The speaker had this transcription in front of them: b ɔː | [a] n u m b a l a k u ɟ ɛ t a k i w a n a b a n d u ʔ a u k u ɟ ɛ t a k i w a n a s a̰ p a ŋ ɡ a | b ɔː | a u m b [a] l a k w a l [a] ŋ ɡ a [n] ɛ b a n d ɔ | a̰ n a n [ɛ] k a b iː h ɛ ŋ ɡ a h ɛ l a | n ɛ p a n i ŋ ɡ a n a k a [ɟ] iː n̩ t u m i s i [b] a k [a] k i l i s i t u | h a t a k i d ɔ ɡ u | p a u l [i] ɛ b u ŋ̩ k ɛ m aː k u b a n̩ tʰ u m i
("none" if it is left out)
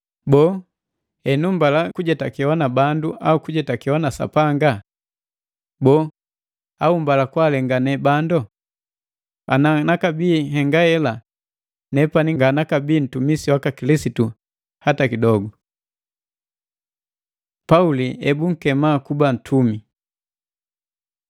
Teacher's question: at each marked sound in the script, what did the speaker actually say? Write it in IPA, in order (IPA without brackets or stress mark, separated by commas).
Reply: ɛ, a, ɛ, n, a, b, w, a, i